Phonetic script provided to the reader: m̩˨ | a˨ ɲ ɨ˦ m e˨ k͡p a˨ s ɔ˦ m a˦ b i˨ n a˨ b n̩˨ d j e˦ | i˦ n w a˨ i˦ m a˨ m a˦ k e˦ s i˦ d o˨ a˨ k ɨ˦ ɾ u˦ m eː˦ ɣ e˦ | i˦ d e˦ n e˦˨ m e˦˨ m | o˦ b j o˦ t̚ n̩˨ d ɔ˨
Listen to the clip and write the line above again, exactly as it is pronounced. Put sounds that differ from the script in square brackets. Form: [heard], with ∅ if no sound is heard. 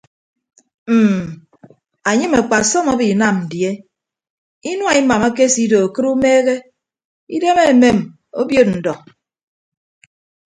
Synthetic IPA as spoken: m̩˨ | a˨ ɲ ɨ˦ m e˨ k͡p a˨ s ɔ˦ m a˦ b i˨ n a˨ [m] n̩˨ d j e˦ | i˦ n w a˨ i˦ m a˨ m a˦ k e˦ s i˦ d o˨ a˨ k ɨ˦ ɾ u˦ m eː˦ ɣ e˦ | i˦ d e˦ [m] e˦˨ m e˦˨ m | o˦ b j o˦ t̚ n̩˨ d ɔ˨